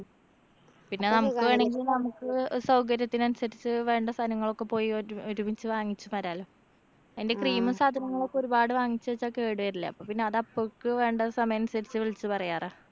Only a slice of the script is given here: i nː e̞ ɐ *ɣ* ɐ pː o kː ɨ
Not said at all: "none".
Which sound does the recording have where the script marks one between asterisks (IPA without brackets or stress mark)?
ð